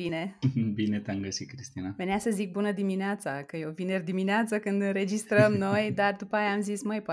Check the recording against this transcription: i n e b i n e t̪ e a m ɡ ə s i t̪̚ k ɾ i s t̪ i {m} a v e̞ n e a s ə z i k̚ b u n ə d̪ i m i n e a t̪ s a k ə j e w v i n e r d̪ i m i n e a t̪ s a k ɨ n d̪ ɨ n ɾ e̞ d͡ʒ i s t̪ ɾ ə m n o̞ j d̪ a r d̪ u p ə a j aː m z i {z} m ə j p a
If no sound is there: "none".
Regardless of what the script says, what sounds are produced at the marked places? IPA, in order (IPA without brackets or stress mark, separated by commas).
n, s